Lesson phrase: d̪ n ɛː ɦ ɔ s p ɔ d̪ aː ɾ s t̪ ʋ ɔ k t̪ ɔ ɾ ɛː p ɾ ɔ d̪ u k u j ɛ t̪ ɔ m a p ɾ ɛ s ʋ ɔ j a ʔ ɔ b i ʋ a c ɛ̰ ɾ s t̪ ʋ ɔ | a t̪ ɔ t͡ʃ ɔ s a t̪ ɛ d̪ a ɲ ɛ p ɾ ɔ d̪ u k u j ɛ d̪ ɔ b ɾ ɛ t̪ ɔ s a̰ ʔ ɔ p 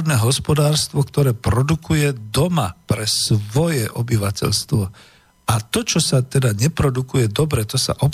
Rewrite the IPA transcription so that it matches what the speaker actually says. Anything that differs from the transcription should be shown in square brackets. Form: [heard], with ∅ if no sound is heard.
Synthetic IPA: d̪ n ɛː ɦ ɔ s p ɔ d̪ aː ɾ s t̪ ʋ ɔ k t̪ ɔ ɾ ɛː p ɾ ɔ d̪ u k u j ɛ [d̪] ɔ m a p ɾ ɛ s ʋ ɔ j [ɛ] ʔ ɔ b i ʋ a c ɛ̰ [ʎ] s t̪ ʋ ɔ | a t̪ ɔ t͡ʃ ɔ s a t̪ ɛ d̪ a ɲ ɛ p ɾ ɔ d̪ u k u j ɛ d̪ ɔ b ɾ ɛ t̪ ɔ s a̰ ʔ ɔ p